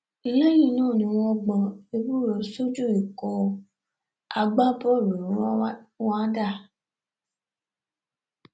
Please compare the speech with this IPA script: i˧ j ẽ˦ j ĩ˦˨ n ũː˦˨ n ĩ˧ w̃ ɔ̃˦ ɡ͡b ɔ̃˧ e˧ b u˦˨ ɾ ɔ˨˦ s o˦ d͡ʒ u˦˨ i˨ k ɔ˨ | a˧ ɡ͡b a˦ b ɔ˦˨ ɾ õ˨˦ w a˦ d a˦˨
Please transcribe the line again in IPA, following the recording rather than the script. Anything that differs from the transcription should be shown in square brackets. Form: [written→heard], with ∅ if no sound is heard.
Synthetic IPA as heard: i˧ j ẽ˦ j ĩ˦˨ n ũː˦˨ n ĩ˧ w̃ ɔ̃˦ ɡ͡b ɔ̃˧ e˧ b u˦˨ ɾ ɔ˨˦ s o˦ d͡ʒ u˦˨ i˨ k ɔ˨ | a˧ ɡ͡b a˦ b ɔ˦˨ ɾ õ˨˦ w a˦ d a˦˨